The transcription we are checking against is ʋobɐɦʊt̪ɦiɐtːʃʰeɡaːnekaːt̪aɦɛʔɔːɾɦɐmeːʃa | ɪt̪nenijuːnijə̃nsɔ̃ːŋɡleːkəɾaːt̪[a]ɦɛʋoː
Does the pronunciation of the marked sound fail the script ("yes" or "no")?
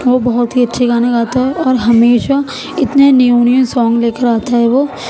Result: no